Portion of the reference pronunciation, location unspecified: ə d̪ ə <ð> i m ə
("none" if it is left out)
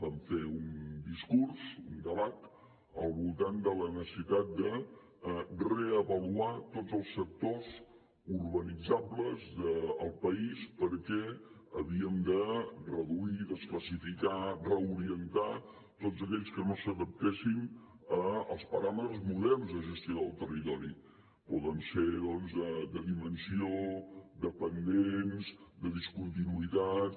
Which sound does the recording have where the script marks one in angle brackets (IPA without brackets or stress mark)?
ð